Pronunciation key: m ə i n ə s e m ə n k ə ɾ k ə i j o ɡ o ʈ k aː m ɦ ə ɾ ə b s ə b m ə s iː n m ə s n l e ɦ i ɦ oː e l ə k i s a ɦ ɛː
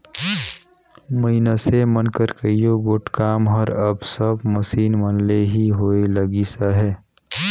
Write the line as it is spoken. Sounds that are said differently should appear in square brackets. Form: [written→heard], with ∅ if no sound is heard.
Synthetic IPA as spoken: m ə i n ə s e m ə n k ə ɾ k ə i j o ɡ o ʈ k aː m ɦ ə ɾ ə b s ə b m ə s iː n m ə [s→∅] n l e ɦ i ɦ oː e l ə [k→ɡ] i s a ɦ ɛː